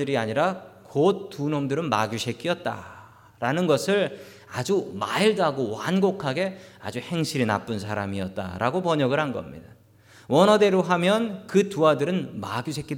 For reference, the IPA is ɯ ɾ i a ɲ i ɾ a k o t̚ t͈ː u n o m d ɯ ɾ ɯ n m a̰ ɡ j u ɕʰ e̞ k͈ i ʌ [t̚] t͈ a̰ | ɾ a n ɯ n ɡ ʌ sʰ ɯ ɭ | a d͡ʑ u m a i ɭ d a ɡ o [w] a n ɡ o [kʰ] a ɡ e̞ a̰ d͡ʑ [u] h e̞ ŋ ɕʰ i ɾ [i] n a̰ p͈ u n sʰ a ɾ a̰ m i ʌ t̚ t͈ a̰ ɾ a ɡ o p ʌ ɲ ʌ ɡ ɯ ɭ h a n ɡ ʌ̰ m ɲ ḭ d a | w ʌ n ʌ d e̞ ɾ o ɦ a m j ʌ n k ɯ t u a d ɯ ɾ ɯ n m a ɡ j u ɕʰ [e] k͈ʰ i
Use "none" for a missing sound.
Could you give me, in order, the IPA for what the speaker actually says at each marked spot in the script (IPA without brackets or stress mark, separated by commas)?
t̚, w, kʰ, u, i, e